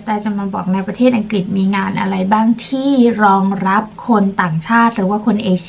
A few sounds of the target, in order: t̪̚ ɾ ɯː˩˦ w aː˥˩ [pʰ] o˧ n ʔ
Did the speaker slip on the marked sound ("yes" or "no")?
yes